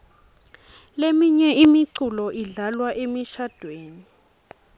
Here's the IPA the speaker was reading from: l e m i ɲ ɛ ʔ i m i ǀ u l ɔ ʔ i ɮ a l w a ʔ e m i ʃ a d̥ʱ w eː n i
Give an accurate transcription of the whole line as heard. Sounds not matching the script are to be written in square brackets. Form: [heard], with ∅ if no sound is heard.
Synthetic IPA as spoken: l e m i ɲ ɛ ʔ i m i ǀ u l ɔ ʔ i ɮ a l w a ʔ e m i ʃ a d̥ʱ w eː n i